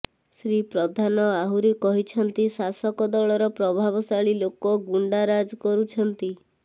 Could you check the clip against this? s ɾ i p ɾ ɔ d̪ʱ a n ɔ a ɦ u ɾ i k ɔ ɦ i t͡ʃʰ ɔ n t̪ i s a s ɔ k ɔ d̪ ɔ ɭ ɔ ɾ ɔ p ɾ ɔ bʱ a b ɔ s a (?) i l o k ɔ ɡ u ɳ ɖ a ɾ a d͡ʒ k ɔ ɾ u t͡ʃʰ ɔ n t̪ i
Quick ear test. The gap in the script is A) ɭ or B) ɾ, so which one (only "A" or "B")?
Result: A